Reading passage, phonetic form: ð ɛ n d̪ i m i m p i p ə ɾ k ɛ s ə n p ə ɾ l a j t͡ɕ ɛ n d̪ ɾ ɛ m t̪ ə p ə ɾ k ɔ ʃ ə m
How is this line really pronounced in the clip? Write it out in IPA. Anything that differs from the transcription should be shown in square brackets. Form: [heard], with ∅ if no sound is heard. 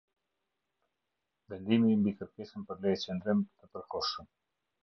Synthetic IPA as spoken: [v] ɛ n d̪ i m i m [b] i [k] ə ɾ k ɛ s ə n p ə ɾ l [ɛ] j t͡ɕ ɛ n d̪ ɾ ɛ m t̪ ə p ə ɾ k ɔ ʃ ə m